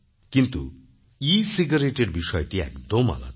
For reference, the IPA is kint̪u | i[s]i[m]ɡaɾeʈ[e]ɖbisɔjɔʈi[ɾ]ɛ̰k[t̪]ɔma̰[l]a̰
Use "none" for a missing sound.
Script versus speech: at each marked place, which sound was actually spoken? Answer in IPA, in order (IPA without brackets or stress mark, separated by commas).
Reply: s, none, e, none, d̪, l